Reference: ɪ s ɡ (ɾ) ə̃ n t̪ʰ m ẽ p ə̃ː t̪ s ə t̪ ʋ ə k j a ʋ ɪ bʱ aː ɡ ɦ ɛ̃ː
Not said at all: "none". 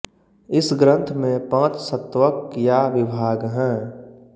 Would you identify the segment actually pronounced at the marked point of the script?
ɾ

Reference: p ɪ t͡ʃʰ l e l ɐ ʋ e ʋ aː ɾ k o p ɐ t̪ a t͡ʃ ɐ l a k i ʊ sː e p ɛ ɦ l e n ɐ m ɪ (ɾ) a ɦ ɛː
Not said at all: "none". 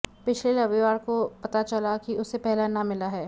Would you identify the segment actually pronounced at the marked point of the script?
l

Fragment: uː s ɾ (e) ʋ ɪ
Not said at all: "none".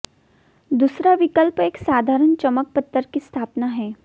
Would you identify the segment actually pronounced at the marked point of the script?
a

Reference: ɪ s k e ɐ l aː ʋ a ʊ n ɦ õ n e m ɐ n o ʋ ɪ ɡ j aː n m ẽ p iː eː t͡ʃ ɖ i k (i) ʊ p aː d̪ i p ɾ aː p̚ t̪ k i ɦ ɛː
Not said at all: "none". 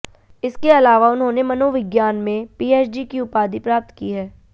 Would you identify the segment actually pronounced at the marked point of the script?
i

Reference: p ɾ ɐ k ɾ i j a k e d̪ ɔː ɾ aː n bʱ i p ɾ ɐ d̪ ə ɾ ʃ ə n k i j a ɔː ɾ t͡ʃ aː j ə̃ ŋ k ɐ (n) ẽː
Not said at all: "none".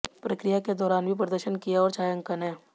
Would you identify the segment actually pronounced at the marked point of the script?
n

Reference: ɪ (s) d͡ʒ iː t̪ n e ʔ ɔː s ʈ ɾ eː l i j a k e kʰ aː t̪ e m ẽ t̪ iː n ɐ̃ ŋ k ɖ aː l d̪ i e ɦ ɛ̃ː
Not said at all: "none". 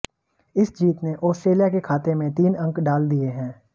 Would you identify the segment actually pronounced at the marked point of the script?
s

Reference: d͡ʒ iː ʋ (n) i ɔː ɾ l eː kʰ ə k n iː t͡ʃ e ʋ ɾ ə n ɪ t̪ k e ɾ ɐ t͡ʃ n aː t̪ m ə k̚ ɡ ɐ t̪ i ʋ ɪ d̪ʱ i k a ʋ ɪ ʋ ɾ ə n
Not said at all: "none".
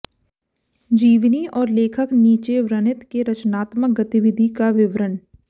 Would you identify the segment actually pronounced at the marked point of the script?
n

